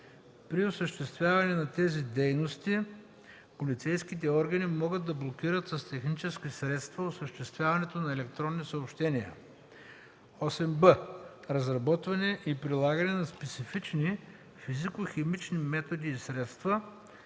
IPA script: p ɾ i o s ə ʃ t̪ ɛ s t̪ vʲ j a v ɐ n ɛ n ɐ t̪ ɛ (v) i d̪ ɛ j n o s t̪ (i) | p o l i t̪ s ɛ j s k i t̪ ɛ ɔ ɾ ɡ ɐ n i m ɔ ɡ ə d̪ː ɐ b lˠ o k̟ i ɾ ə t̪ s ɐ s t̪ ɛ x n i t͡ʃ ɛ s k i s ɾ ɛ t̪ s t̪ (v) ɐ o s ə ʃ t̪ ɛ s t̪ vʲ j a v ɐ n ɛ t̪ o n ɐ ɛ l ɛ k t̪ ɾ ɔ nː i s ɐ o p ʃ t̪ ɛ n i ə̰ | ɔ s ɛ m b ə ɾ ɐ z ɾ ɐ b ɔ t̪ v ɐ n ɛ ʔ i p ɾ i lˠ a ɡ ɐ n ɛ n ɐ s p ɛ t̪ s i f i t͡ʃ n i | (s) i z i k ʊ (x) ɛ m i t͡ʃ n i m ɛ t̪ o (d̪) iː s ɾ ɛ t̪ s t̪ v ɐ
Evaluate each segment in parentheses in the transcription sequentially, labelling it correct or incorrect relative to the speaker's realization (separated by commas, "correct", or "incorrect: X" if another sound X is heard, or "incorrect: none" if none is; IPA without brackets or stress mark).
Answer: incorrect: z, correct, correct, incorrect: f, correct, correct